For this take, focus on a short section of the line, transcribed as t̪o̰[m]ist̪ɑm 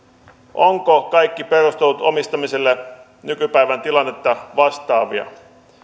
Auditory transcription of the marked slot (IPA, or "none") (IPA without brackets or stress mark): m